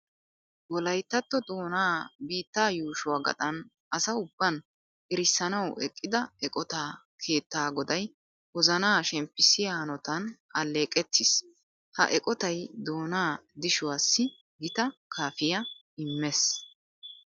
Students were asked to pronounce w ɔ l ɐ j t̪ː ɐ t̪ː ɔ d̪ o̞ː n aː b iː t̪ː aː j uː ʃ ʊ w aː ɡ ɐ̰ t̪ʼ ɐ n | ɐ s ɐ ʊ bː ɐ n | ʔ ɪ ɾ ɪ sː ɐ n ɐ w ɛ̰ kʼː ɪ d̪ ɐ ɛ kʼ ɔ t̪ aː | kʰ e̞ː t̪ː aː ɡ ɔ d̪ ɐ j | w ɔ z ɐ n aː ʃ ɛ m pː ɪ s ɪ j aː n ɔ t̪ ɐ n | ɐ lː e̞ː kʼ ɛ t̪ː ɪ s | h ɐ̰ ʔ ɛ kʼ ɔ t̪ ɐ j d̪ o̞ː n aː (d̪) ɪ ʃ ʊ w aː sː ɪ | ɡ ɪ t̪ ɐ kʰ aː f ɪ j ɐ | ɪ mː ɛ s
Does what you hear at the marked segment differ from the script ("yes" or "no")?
no